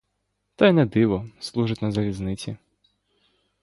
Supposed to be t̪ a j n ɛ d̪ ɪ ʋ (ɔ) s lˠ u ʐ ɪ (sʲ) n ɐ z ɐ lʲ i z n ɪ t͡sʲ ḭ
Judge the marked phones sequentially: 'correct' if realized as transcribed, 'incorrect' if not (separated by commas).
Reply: correct, incorrect